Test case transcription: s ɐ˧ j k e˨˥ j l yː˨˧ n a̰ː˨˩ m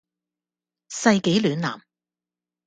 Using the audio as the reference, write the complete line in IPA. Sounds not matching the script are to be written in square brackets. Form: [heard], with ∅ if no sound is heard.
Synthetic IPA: s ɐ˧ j k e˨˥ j l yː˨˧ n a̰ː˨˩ m